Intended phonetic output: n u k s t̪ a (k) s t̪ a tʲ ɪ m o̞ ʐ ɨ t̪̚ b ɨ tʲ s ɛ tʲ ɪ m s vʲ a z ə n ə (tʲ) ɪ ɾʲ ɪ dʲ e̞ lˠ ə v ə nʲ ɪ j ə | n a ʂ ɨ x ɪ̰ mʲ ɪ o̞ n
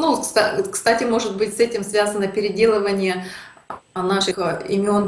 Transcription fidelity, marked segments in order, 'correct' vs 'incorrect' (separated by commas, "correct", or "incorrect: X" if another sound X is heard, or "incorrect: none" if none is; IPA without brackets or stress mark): correct, incorrect: pʲ